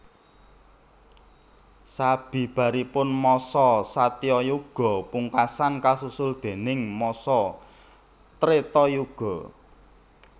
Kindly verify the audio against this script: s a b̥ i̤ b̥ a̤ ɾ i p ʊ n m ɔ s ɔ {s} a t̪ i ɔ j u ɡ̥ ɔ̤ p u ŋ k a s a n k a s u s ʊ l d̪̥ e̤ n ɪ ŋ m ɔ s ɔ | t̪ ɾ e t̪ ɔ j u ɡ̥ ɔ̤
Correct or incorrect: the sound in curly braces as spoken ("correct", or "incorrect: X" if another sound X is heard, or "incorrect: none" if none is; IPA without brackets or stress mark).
correct